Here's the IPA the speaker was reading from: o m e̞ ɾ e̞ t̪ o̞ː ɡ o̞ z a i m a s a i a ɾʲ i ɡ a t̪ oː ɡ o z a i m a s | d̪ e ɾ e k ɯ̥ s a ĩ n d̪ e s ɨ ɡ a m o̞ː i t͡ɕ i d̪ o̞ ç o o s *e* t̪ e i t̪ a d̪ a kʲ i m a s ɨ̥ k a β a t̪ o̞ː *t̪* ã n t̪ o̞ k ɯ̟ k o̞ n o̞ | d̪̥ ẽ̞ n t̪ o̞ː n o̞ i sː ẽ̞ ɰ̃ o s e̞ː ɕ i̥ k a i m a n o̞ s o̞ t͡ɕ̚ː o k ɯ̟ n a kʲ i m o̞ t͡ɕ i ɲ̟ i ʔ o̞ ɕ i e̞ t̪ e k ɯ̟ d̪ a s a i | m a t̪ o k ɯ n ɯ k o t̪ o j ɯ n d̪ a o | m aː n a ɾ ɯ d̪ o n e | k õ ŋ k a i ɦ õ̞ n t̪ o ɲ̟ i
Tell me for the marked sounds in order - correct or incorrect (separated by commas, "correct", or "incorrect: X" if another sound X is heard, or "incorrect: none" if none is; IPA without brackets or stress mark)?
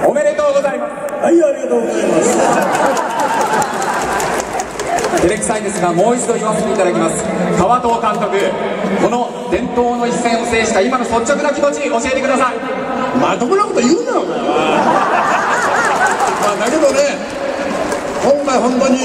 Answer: correct, correct